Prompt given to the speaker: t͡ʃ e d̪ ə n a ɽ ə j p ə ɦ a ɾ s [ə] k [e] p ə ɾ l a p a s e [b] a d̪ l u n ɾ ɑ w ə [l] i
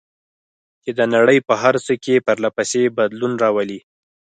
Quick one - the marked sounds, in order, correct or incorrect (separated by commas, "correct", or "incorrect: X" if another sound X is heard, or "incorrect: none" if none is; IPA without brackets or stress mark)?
correct, correct, correct, correct